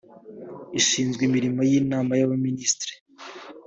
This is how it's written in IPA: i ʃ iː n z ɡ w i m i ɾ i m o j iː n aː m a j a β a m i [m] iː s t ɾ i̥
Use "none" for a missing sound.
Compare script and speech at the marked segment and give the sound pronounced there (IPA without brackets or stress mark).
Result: n